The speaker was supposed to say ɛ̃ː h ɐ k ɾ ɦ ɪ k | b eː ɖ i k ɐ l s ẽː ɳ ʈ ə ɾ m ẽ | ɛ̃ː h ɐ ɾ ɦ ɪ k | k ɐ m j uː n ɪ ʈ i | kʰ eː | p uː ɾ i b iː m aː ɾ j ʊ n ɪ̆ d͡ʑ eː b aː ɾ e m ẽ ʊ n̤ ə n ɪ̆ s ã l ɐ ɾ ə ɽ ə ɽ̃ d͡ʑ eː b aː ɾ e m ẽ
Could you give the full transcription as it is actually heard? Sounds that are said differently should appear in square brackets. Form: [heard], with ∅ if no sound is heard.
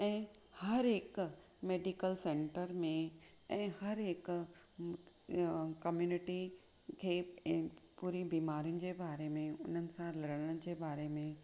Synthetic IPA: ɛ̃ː h ɐ [∅] ɾ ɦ ɪ k | [m] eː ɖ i k [ə] l s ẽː ɳ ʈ ə ɾ m ẽ | ɛ̃ː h ɐ ɾ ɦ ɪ k | k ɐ m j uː n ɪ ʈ i | kʰ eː | p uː ɾ i b iː m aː ɾ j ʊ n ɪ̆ d͡ʑ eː b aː ɾ e m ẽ ʊ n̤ ə n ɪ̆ s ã l ɐ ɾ ə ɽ ə ɽ̃ d͡ʑ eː b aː ɾ e m ẽ